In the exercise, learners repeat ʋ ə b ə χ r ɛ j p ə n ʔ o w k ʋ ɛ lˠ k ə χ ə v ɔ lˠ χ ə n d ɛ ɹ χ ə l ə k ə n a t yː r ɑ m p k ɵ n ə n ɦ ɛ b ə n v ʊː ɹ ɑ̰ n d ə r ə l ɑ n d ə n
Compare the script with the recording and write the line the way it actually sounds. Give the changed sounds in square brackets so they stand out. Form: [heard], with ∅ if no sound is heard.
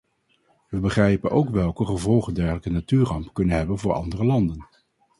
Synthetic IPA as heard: ʋ ə b ə χ r ɛ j p ə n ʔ o w k ʋ ɛ lˠ k ə χ ə v ɔ lˠ χ ə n d ɛ ɹ χ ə l ə k ə n a t yː r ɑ m p k ɵ n ə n ɦ ɛ b ə n v ʊː ɹ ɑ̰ n d ə r ə l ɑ n d ə n